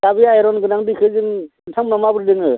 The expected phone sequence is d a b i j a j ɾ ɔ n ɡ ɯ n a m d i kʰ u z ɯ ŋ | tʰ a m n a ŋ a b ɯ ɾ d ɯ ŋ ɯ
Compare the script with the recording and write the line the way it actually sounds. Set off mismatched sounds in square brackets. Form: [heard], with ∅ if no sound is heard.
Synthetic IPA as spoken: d a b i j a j ɾ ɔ n ɡ ɯ n a [ŋ] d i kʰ [ɯ] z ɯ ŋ | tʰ a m n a [m] a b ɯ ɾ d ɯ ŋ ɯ